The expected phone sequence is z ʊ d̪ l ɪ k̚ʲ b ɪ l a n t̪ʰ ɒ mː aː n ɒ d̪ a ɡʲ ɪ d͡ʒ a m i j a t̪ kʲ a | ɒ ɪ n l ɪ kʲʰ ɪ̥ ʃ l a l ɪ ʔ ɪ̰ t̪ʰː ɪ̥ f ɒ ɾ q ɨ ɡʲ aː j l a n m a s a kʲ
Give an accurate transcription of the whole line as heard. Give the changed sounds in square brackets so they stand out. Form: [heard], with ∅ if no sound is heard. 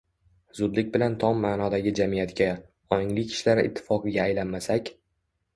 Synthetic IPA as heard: z ʊ d̪ l ɪ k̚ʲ b ɪ l a n t̪ʰ ɒ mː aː n ɒ d̪ a ɡʲ ɪ d͡ʒ a m i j a t̪ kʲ a | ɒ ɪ [ŋ] l ɪ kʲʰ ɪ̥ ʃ l a [ɾ] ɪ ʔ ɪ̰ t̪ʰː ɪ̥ f ɒ [∅] q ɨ ɡʲ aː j l a n m a s a kʲ